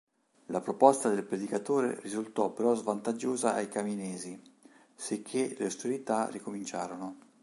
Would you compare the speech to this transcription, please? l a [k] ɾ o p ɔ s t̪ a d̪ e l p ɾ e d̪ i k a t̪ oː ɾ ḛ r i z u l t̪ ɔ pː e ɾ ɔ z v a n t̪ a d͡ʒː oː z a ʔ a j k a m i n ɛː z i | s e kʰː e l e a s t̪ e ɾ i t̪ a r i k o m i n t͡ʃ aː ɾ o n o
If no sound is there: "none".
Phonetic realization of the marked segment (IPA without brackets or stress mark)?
p